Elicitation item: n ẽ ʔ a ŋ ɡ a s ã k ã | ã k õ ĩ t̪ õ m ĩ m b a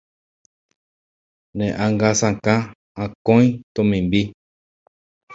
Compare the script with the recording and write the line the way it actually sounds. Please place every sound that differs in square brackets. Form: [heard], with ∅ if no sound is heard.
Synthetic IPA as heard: n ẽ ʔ a ŋ ɡ a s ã k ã | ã k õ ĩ t̪ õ m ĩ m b [i]